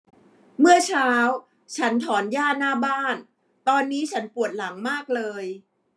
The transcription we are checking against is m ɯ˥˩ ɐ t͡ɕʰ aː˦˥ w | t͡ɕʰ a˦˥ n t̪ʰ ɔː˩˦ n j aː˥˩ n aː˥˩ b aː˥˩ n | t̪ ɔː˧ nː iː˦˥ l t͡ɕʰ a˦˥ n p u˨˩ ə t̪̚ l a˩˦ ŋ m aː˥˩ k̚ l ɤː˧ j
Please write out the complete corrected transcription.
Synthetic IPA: m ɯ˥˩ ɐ t͡ɕʰ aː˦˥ w | t͡ɕʰ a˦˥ n t̪ʰ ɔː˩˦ n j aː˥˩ n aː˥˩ b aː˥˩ n | t̪ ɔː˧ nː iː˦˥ t͡ɕʰ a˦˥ n p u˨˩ ə t̪̚ l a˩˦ ŋ m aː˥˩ k̚ l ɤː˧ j